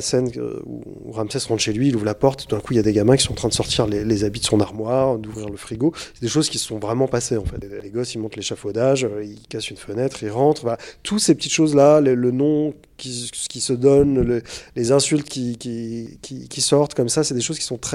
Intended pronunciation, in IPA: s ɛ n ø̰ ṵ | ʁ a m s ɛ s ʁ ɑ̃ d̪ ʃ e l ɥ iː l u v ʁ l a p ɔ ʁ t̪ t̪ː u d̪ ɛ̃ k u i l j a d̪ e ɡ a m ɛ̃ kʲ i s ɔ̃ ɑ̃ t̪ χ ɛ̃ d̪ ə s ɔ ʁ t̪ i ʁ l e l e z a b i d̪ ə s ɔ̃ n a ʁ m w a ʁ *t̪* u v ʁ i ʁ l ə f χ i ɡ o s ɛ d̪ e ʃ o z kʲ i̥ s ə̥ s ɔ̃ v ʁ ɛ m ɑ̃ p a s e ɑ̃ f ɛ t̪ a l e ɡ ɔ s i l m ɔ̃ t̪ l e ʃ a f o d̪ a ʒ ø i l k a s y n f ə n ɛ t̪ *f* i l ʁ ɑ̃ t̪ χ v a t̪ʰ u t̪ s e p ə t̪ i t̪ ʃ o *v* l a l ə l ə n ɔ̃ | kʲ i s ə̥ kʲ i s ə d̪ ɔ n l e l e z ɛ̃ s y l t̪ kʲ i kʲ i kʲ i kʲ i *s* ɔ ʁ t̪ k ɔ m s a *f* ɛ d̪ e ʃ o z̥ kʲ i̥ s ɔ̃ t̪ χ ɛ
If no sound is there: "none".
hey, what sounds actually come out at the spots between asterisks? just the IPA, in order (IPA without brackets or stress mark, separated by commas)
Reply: d̪, χ, z, s, s